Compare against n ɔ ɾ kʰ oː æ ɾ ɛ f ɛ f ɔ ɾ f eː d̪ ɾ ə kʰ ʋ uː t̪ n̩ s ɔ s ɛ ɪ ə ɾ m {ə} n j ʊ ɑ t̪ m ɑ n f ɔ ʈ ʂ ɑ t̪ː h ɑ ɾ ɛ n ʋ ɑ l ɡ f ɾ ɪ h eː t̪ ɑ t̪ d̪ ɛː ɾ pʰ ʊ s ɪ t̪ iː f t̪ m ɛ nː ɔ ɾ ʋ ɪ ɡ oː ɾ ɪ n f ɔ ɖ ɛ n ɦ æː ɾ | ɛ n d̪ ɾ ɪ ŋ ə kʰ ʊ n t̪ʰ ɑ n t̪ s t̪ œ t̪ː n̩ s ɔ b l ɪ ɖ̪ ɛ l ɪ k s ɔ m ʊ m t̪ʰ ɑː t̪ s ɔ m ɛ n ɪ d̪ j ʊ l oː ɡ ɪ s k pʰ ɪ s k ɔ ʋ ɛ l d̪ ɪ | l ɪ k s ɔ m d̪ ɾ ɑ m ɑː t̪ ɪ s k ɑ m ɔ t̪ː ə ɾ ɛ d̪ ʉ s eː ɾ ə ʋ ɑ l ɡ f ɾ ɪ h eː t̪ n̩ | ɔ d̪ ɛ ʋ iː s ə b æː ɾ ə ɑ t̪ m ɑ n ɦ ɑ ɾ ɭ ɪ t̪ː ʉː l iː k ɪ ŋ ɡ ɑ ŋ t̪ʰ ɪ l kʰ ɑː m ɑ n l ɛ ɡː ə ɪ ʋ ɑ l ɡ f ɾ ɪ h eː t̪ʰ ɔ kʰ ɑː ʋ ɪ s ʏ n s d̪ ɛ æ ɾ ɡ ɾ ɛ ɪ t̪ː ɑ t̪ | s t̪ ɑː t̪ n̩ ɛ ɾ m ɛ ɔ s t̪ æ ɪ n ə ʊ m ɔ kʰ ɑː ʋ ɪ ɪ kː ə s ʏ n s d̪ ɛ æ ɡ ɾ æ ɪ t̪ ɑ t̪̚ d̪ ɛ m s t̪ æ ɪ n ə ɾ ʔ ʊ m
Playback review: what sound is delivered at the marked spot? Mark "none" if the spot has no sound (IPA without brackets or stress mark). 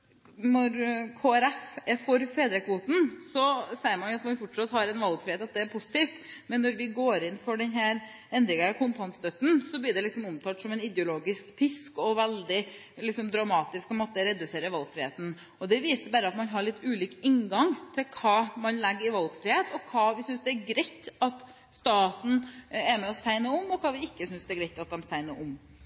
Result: ɑ